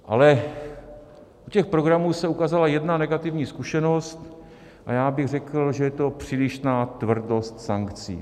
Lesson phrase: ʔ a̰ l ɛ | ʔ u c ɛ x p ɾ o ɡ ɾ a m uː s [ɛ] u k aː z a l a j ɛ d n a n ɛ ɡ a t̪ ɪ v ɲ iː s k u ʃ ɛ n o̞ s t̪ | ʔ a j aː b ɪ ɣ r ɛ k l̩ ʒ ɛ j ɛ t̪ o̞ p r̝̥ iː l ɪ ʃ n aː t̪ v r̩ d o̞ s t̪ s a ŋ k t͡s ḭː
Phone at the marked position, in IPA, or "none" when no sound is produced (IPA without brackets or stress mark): ɛ